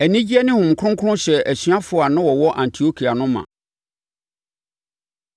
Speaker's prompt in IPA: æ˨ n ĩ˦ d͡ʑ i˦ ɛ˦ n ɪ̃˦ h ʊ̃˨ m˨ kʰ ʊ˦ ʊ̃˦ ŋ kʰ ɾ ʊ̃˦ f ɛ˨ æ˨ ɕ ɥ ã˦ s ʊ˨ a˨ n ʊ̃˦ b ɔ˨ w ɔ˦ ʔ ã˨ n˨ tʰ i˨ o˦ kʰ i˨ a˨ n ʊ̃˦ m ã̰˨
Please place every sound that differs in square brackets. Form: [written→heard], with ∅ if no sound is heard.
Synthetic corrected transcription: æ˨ n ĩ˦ d͡ʑ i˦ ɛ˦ n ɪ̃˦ h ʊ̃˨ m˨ kʰ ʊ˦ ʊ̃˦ ŋ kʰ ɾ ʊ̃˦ [f→ɕ] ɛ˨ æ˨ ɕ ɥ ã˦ [s→f] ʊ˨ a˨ n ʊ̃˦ [b→w] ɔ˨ w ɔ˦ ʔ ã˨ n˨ tʰ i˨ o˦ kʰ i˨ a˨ n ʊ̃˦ m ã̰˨